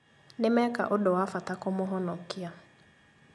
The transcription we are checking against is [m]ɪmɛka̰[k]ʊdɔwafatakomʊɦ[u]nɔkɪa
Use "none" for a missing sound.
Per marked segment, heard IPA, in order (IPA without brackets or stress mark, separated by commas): n, ʔ, ɔ